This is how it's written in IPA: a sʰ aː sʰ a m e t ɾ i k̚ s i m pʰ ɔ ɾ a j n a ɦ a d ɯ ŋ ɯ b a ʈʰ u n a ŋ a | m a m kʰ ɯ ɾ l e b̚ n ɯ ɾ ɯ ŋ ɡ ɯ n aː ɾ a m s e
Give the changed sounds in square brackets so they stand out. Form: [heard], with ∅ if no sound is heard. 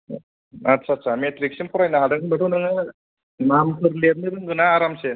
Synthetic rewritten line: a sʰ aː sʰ a m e t ɾ i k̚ s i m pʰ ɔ ɾ a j n a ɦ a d ɯ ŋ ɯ b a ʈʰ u n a ŋ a | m a m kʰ ɯ ɾ l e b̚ n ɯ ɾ ɯ ŋ ɡ ɯ n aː ɾ a m s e

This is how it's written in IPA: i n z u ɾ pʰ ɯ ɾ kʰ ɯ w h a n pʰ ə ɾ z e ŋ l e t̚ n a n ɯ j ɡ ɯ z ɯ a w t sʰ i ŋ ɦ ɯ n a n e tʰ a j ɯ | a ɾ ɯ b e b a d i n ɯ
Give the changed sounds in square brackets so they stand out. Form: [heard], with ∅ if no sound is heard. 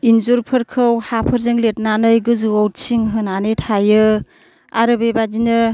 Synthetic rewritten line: i n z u ɾ pʰ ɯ ɾ kʰ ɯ w h a [∅] pʰ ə ɾ z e ŋ l e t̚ n a n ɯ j ɡ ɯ z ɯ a w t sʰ i ŋ ɦ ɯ n a n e tʰ a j ɯ | a ɾ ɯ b e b a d i n ɯ

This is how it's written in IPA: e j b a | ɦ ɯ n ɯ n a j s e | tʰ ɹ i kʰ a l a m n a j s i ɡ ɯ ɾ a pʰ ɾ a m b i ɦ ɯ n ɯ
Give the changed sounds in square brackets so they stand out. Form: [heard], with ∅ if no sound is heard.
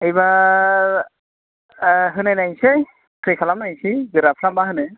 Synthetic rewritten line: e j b a | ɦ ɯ n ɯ n a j s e | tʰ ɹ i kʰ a l a m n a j s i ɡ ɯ ɾ a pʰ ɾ a m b [a] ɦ ɯ n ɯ

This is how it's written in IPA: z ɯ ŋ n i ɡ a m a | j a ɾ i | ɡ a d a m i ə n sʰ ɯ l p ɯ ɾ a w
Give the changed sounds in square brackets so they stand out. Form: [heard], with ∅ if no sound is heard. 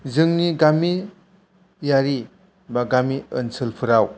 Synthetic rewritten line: z ɯ ŋ n i ɡ a m [i] | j a ɾ i | [b] a [ɡ] a m i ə n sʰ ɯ l [pʰ] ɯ ɾ a w

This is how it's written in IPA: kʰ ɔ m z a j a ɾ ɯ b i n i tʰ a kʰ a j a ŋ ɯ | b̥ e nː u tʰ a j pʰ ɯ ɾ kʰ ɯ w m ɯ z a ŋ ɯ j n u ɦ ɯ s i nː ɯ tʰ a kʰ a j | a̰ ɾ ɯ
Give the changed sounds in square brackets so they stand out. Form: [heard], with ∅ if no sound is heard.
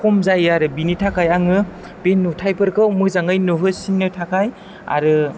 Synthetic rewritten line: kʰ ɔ m z a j a ɾ ɯ b i n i tʰ a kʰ a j a ŋ ɯ | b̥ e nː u tʰ a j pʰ ɯ ɾ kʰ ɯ w m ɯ z a ŋ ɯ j n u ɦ ɯ s i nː ɯ tʰ a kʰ a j | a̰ ɾ ɯ

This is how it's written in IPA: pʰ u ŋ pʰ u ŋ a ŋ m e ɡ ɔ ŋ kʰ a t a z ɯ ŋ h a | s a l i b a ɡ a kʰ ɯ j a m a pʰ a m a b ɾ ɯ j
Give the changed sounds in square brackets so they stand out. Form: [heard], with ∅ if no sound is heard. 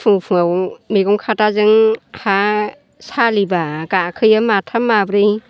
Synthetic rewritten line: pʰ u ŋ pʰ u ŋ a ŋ m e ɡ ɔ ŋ kʰ a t a z ɯ ŋ h a | s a l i b a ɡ a kʰ ɯ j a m a [tʰ] a m a b ɾ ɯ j

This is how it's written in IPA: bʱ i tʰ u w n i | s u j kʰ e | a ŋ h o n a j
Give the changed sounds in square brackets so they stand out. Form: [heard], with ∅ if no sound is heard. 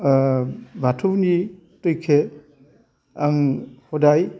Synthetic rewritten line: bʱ [a] tʰ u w n i | [t] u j kʰ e | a ŋ h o [d] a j

